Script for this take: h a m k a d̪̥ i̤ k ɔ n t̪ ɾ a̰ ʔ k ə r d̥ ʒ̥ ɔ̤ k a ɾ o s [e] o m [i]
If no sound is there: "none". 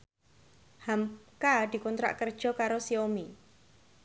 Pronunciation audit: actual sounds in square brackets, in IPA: i, i

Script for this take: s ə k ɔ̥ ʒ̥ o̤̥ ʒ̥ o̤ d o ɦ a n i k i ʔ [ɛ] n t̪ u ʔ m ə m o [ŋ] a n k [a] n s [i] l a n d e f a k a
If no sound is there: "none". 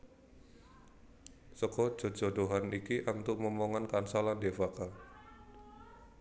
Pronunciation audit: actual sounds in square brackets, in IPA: a, ŋ, a, a

